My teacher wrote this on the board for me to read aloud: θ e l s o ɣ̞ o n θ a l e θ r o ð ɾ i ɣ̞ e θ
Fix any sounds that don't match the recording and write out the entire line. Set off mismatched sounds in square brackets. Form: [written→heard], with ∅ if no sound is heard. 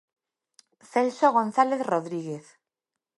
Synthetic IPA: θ e l s o ɣ̞ o n θ a l e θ r o ð ɾ i ɣ̞ e θ

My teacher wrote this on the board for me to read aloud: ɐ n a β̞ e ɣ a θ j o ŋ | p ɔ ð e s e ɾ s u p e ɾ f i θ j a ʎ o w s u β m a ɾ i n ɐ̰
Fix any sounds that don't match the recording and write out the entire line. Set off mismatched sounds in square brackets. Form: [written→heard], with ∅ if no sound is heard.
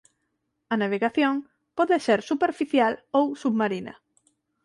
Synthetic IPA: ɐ n a β̞ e ɣ a θ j o ŋ | p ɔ ð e s e ɾ s u p e ɾ f i θ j a [ʎ→l] o w s u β m a ɾ i n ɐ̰

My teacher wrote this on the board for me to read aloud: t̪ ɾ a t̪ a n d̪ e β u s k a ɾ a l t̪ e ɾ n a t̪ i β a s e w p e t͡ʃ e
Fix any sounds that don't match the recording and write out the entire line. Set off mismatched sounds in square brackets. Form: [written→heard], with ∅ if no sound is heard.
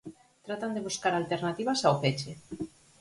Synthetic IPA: t̪ ɾ a t̪ a n d̪ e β u s k a ɾ a l t̪ e ɾ n a t̪ i β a s [e→a] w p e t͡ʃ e

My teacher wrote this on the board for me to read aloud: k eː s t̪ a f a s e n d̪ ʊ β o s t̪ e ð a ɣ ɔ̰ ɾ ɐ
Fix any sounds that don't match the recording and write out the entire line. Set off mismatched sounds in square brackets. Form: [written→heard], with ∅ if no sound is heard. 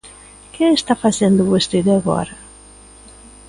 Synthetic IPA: k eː s t̪ a f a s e n d̪ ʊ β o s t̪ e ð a ɣ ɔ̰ ɾ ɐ

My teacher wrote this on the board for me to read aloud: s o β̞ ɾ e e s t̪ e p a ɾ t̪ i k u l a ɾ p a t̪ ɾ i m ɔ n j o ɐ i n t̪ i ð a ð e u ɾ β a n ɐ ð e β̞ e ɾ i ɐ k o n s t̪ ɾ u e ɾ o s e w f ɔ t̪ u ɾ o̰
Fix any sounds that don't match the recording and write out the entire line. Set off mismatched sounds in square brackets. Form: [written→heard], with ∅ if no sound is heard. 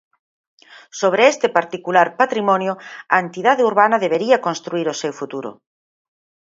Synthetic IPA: s o β̞ ɾ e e s t̪ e p a ɾ t̪ i k u l a ɾ p a t̪ ɾ i m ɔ n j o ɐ [i→e] n t̪ i ð a ð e u ɾ β a n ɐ ð e β̞ e ɾ i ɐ k o n s t̪ ɾ u [e→i] ɾ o s e w f [ɔ→u] t̪ u ɾ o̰

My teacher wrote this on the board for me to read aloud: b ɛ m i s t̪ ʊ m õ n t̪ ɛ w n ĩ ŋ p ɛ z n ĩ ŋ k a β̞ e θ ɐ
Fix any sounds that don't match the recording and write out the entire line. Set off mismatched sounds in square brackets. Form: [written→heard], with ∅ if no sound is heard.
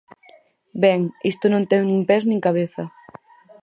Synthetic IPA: b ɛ [m→ŋ] i s t̪ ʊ [m→n] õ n t̪ ɛ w n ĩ ŋ p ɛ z n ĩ ŋ k a β̞ e θ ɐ

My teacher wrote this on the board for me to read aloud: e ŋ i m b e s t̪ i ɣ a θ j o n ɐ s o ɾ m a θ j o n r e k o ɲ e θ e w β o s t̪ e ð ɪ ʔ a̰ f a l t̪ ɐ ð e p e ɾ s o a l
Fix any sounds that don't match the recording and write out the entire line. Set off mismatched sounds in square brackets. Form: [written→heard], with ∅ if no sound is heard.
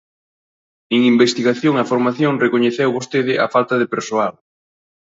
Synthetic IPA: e ŋ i m b e s t̪ i ɣ a θ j o [n→ŋ] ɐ [s→f] o ɾ m a θ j o [n→ŋ] r e k o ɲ e θ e w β o s t̪ e ð ɪ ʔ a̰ f a l t̪ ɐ ð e p e ɾ s o a l

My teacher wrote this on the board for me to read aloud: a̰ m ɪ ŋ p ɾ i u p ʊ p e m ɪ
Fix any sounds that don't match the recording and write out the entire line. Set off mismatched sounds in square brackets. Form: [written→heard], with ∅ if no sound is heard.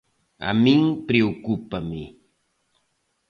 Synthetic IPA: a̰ m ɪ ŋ p ɾ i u [p→k] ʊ p [e→a] m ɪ

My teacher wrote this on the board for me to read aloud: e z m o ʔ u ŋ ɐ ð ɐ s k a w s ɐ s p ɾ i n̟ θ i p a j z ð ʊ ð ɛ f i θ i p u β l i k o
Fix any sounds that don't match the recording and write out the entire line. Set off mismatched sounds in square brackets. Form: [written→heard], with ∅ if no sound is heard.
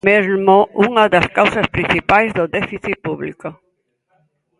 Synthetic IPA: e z m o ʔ u ŋ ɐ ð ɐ s k a w s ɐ s p ɾ i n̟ θ i p a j z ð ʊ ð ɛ f i θ i p u β l i k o

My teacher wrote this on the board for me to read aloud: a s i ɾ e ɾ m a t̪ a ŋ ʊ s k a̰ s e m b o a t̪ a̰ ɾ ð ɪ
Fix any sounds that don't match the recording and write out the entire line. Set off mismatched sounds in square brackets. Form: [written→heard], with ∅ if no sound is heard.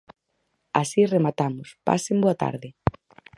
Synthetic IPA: a s i [ɾ→r] e [ɾ→∅] m a t̪ a [ŋ→m] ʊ s [k→p] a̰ s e m b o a t̪ a̰ ɾ ð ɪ

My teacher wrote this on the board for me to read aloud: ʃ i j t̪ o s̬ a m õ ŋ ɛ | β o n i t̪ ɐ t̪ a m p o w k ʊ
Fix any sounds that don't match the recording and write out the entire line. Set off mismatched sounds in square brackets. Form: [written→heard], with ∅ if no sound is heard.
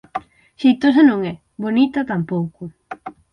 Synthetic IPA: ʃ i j t̪ o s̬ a [m→n] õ ŋ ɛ | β o n i t̪ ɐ t̪ a m p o w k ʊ

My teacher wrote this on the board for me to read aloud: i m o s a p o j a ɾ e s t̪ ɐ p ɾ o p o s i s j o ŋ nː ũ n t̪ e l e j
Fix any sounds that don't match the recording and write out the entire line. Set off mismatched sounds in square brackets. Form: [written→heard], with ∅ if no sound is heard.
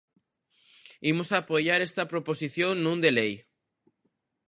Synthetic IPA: i m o s a p o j a ɾ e s t̪ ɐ p ɾ o p o s i [s→θ] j o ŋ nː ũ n [t̪→d̪] e l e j

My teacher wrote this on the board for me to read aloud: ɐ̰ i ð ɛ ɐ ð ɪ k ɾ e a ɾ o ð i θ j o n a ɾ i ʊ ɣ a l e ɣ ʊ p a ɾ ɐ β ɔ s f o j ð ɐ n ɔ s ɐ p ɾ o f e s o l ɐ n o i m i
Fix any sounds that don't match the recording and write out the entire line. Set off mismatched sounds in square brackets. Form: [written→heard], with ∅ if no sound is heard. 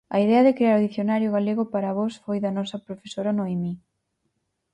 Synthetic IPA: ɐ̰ i ð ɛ ɐ ð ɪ k ɾ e a ɾ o ð i θ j o n a ɾ [i→j] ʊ ɣ a l e ɣ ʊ p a ɾ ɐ β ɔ s f o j ð ɐ n ɔ s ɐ p ɾ o f e s o [l→ɾ] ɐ n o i m i

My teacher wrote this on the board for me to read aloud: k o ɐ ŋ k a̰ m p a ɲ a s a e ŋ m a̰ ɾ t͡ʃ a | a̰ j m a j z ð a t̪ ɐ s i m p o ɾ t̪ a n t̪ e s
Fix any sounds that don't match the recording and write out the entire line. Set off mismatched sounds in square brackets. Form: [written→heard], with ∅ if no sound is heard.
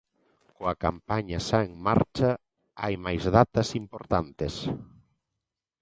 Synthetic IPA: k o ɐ [ŋ→∅] k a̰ m p a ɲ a s a e ŋ m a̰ ɾ t͡ʃ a | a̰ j m a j z ð a t̪ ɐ s i m p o ɾ t̪ a n t̪ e s

